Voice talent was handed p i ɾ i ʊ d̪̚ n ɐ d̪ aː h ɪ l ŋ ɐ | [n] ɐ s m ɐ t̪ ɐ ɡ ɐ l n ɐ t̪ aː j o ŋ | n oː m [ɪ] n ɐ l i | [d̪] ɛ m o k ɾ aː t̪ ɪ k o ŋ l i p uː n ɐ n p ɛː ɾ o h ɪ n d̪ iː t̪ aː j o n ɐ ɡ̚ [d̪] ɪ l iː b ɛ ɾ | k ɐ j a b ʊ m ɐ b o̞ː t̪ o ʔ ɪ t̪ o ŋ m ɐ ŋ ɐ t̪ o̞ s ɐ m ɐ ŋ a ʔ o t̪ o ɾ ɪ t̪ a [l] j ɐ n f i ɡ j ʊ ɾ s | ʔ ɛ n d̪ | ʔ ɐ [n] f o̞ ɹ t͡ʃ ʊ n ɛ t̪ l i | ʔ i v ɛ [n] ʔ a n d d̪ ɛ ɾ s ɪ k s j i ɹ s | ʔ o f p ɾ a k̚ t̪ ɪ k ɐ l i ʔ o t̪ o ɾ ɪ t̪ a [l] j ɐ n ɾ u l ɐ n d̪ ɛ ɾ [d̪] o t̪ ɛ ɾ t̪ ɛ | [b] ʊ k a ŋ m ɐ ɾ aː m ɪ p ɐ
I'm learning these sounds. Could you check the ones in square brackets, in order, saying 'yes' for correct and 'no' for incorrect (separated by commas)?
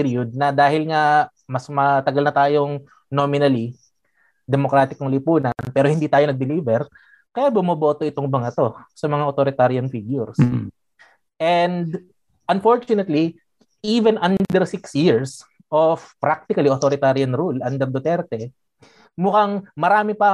no, yes, yes, yes, no, yes, yes, no, yes, no